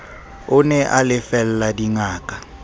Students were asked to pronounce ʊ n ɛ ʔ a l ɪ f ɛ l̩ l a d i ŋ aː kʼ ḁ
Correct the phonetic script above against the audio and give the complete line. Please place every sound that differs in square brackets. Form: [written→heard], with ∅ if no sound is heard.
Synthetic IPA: ʊ n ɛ ʔ a l ɪ f ɛ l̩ l a d i ŋ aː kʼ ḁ